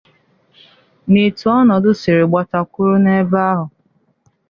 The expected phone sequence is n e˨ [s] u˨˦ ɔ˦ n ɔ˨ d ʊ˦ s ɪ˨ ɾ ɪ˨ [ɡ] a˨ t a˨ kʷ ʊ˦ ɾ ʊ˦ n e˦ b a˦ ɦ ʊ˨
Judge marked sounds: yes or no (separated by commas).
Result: no, no